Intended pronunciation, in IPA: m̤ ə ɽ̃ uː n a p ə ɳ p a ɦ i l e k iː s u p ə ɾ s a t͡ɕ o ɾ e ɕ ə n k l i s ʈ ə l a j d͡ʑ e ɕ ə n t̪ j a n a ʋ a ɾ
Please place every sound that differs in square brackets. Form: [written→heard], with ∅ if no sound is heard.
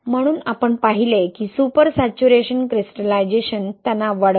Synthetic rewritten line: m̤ ə ɽ̃ uː n a p ə ɳ p a ɦ i l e k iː s u p ə ɾ s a t͡ɕ [o→u] ɾ e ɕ ə n k [l→ɾ] i s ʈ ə l a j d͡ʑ e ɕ ə n t̪ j a n a ʋ a [ɾ→ɽ]